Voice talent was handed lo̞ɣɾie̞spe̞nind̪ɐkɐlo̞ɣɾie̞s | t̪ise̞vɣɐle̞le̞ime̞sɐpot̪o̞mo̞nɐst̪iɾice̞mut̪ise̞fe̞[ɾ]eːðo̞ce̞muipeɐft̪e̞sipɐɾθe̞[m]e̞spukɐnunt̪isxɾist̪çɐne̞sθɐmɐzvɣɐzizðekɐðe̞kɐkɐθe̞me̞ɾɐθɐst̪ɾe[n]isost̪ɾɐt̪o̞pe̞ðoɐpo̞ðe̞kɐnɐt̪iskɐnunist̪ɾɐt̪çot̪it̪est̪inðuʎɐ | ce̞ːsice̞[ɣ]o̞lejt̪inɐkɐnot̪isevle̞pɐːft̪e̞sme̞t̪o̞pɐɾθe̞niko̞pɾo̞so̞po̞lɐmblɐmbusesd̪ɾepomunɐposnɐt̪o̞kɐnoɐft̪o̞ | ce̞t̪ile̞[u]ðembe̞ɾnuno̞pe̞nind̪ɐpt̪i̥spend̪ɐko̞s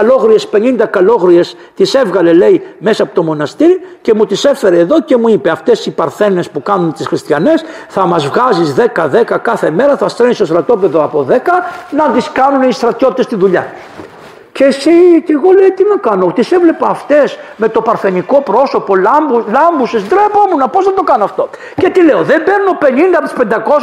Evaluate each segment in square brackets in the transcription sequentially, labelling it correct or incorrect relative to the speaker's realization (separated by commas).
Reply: correct, incorrect, correct, correct, incorrect